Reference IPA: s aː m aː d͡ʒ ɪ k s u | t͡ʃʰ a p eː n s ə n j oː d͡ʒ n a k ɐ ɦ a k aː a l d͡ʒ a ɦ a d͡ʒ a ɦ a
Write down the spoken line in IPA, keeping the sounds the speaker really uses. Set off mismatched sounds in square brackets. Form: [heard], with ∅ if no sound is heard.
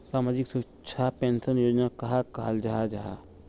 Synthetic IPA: s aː m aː d͡ʒ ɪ k s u | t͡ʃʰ a p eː n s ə n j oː d͡ʒ n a k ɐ ɦ a k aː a l d͡ʒ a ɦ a d͡ʒ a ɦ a